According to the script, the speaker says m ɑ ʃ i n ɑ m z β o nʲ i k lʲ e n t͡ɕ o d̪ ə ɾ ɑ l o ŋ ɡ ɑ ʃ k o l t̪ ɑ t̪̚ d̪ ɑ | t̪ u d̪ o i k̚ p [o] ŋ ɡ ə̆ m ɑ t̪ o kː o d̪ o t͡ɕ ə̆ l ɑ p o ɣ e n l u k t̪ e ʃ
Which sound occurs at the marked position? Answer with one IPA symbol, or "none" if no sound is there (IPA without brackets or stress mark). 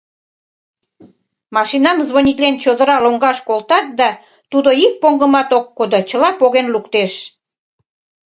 o